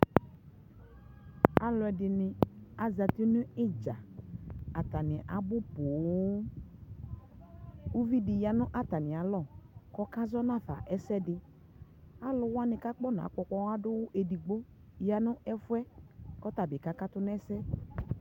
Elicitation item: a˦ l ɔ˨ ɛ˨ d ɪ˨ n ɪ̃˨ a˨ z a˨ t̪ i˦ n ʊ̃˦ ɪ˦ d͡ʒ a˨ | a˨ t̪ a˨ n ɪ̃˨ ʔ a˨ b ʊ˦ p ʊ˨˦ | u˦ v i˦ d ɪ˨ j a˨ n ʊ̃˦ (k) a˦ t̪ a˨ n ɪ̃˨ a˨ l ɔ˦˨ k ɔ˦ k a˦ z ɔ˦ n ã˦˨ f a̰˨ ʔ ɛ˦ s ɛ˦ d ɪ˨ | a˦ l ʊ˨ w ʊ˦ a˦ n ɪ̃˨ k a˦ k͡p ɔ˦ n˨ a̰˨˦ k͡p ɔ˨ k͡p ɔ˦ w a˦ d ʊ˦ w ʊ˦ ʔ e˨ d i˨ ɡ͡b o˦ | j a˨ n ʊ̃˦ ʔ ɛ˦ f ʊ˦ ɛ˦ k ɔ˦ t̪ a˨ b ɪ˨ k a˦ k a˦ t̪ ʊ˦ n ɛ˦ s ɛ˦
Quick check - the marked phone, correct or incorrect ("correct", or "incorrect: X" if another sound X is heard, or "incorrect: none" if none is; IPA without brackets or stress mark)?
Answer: incorrect: ʔ